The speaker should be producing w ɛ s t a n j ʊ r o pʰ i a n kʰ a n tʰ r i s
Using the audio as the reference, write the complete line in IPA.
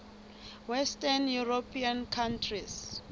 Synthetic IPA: w ɛ s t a n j u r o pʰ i a n kʰ a n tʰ r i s